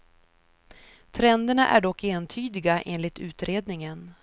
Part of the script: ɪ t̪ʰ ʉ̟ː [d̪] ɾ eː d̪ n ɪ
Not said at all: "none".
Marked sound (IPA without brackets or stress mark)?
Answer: t̪